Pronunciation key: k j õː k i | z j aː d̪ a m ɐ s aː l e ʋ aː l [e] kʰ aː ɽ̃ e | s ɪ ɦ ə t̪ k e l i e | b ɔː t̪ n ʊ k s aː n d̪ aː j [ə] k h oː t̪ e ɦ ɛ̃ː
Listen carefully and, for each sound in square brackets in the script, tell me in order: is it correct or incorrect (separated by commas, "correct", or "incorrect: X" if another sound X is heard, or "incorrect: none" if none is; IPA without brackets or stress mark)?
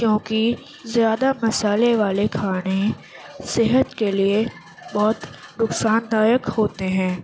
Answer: correct, correct